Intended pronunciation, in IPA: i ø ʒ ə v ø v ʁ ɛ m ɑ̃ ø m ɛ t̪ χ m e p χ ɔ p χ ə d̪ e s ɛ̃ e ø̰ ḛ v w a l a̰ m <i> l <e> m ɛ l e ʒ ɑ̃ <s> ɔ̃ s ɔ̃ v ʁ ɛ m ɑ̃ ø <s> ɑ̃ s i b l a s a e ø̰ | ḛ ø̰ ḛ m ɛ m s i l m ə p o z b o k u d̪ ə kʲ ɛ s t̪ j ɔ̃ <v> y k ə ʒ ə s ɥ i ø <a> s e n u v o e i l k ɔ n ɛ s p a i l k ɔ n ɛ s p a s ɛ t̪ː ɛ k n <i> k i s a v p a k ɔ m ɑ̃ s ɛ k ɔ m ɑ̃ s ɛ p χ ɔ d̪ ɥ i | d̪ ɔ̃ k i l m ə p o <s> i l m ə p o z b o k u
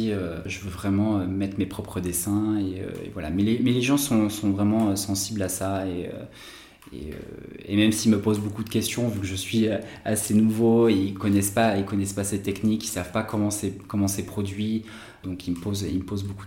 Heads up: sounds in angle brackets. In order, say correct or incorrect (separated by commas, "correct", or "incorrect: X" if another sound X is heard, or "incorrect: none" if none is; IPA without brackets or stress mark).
incorrect: ɛ, correct, correct, correct, correct, correct, correct, incorrect: z